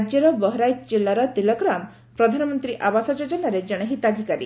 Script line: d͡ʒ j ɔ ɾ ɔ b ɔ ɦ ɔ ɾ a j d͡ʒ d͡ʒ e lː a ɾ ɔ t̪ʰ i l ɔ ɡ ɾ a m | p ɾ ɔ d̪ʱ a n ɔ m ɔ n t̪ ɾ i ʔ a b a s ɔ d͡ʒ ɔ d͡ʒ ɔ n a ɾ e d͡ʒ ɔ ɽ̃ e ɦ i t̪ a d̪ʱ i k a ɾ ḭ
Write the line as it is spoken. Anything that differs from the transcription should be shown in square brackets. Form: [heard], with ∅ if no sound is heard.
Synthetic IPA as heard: d͡ʒ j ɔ ɾ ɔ b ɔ ɦ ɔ ɾ a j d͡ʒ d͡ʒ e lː a ɾ ɔ [t̪] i l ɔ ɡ ɾ a m | p ɾ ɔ d̪ʱ a n ɔ m ɔ n t̪ ɾ i ʔ a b a s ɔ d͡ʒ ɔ d͡ʒ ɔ n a ɾ e d͡ʒ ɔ ɽ̃ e ɦ i t̪ a d̪ʱ i k a ɾ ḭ